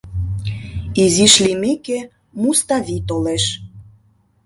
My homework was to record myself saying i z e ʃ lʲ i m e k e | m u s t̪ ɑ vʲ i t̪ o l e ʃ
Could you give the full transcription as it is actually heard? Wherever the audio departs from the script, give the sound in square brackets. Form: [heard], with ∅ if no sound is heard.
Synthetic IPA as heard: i z [i] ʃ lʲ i m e k e | m u s t̪ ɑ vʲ i t̪ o l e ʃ